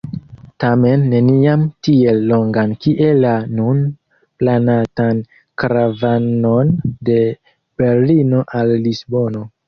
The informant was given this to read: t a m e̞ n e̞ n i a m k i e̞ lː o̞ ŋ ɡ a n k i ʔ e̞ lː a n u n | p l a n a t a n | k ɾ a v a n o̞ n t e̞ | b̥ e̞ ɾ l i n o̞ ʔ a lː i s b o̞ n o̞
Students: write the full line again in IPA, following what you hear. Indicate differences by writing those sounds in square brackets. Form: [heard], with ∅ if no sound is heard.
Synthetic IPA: t a m e̞ [nː] e̞ n i a m [t] i e̞ lː o̞ ŋ ɡ a n k i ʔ e̞ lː a n u n | p l a n a t a n | k ɾ a v a n o̞ n [d] e̞ | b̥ e̞ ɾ l i n o̞ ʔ a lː i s b o̞ n o̞